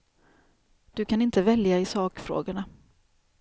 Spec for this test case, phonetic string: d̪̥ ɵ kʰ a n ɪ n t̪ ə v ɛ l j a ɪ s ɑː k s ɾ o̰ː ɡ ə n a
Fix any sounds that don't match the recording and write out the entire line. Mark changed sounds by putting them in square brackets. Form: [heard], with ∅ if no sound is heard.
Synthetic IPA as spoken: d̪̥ ɵ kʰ a n ɪ n t̪ ə v ɛ l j a ɪ s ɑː k [f] ɾ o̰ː ɡ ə [ɳ] a